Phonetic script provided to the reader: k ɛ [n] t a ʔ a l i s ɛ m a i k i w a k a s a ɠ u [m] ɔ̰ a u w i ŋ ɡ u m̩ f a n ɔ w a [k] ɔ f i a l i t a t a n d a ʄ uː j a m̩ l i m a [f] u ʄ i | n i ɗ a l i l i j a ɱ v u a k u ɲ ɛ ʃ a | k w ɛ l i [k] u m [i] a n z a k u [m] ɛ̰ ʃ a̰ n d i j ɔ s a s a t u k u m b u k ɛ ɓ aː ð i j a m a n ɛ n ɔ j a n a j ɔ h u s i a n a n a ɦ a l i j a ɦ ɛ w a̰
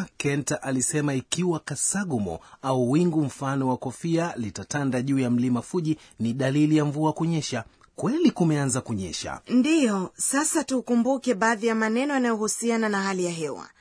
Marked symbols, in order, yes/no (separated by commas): yes, yes, yes, yes, yes, no, no